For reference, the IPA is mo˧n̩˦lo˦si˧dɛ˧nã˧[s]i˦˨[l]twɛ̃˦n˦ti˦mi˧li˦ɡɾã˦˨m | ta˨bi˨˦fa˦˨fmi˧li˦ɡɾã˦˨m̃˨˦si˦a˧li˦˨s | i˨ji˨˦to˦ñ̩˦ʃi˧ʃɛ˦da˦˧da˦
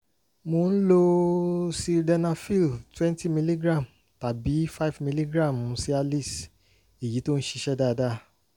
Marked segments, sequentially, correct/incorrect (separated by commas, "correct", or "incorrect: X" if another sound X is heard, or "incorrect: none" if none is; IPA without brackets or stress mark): incorrect: f, correct